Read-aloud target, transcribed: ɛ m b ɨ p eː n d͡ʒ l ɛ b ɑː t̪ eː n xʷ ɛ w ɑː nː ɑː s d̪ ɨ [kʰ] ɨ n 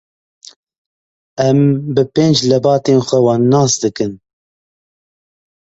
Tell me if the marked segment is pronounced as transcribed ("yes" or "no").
no